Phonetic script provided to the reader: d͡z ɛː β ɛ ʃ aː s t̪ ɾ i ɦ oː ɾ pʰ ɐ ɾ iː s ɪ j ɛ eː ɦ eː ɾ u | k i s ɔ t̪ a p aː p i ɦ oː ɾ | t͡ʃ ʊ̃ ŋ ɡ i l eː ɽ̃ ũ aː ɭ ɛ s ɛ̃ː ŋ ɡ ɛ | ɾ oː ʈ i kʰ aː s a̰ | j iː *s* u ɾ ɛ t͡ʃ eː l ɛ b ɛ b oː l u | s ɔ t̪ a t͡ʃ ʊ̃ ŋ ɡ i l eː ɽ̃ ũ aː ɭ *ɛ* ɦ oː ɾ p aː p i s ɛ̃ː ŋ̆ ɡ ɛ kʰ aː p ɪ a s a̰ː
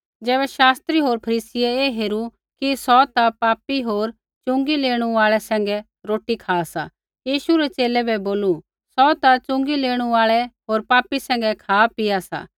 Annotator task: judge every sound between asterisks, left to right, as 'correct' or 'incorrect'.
incorrect, correct

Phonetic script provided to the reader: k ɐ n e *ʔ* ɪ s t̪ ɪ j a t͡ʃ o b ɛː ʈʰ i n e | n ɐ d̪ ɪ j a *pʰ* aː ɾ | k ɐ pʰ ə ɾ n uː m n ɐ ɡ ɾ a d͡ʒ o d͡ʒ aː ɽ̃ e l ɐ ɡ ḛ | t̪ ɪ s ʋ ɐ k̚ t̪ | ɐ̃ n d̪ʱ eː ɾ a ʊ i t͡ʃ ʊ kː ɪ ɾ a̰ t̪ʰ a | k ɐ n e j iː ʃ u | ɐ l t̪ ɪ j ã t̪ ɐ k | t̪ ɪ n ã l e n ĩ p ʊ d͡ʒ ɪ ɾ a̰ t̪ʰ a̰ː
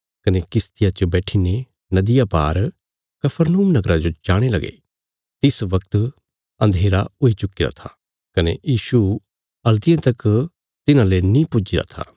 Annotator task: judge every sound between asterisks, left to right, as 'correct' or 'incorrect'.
incorrect, incorrect

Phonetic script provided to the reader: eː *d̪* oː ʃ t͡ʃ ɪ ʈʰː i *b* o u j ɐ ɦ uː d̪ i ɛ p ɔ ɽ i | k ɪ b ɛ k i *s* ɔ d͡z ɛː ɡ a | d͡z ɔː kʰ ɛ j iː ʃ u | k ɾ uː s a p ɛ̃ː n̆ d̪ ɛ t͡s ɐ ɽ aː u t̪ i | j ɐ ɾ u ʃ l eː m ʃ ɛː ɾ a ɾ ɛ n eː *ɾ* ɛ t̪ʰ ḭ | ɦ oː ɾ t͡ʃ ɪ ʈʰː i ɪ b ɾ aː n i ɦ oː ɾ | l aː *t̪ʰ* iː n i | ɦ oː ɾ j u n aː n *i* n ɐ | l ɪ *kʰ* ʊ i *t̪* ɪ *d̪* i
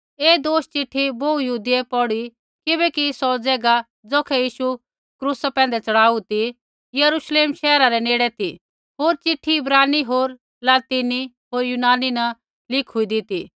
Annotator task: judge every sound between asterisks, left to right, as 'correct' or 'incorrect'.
correct, correct, correct, incorrect, incorrect, correct, correct, incorrect, incorrect

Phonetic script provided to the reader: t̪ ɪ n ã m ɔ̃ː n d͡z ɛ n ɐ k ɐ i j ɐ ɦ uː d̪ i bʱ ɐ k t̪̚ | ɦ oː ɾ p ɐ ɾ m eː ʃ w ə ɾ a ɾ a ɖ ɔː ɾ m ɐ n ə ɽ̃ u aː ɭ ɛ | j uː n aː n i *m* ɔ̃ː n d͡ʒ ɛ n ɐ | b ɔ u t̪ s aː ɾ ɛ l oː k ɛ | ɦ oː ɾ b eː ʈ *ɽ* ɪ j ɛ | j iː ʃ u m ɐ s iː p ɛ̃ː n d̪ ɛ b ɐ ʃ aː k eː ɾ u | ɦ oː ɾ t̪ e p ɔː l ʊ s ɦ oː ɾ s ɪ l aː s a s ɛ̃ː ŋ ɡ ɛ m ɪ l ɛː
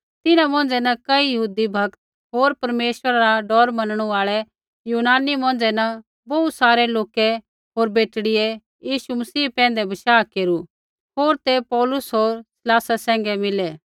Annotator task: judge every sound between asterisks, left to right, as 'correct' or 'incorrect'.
correct, correct

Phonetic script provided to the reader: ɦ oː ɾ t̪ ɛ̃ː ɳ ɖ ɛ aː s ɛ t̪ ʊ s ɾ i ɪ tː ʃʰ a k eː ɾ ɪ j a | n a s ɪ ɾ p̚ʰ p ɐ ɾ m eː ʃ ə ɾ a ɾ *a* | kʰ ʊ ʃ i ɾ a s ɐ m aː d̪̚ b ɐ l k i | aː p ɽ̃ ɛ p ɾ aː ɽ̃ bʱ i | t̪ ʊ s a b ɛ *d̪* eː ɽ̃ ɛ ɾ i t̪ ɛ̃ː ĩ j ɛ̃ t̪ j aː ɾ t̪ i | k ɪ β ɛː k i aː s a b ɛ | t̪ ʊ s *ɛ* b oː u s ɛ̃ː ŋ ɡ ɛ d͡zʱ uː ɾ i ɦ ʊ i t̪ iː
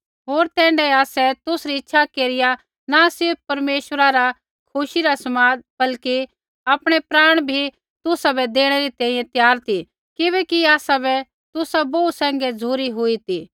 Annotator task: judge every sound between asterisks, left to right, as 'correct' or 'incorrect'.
correct, correct, incorrect

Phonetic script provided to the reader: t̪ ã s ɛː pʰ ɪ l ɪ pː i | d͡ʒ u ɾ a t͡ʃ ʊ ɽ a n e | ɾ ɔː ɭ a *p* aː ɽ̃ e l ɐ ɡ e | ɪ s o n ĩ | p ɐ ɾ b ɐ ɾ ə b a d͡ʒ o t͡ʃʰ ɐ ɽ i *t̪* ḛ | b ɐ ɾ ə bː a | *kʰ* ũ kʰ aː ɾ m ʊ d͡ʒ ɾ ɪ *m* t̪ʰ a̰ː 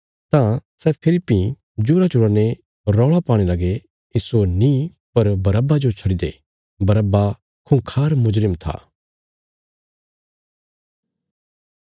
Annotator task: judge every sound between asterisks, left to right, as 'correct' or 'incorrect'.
correct, incorrect, correct, correct

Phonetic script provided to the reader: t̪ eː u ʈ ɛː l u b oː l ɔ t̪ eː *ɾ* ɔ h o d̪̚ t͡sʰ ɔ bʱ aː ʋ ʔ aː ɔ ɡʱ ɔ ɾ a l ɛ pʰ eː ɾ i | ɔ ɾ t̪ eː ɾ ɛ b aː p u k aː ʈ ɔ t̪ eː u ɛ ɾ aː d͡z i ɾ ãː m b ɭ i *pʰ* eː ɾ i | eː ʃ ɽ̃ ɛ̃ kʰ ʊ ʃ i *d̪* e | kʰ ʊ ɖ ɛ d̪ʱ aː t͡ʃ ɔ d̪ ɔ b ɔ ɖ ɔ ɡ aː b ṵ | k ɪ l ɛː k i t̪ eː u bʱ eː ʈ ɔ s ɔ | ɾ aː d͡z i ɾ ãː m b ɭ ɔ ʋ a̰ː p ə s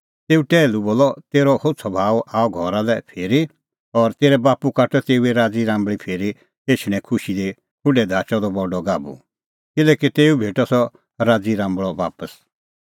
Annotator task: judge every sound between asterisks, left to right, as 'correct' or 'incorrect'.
correct, correct, correct

